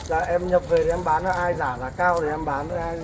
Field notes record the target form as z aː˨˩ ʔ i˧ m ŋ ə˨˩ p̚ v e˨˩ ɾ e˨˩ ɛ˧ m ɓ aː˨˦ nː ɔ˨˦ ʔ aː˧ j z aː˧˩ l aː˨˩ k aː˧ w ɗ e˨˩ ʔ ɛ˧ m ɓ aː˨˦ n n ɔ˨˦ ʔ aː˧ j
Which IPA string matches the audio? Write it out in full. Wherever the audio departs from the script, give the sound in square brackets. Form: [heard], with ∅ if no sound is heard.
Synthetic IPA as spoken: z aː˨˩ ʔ [ɛ˧] m [ɲ] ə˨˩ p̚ v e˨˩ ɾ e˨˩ ɛ˧ m ɓ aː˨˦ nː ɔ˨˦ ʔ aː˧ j z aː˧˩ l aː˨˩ k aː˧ w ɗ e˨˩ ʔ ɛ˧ m ɓ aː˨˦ n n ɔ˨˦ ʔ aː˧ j